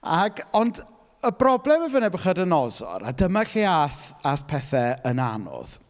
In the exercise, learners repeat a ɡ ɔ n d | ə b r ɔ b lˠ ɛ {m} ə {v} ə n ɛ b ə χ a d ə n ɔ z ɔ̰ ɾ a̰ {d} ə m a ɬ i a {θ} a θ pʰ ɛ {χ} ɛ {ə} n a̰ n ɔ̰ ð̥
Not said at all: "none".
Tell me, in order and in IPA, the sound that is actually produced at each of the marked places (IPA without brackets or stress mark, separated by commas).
m, v, d, θ, θ, ə